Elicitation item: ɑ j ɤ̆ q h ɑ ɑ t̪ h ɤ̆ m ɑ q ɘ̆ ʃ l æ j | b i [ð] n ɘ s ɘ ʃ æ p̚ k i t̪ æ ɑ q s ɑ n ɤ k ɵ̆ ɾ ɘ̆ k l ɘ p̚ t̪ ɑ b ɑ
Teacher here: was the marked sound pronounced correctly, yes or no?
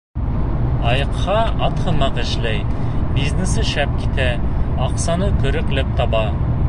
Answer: no